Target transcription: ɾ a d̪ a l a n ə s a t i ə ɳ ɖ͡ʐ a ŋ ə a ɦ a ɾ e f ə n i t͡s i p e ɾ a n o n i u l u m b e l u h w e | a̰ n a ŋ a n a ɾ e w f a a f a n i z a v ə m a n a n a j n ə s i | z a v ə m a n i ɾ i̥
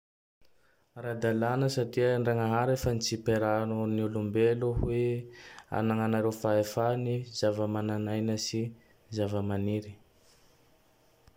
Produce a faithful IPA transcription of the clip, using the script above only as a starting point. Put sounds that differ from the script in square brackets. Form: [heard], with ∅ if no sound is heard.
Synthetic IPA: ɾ a d̪ a l a n ə s a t i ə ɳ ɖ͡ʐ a ŋ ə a ɦ a ɾ e f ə n i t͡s i p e ɾ a n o n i u l u m b e l u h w e | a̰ n a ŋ a n a ɾ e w f a [e] f a n i z a v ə m a n a n a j n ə s i | z a v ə m a n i ɾ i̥